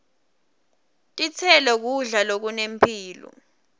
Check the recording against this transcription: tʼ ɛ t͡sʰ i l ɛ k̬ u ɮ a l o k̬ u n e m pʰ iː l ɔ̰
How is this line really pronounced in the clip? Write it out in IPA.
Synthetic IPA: tʼ i t͡sʰ ɛ l ɛ k̬ u ɮ a l o k̬ u n e m pʰ iː l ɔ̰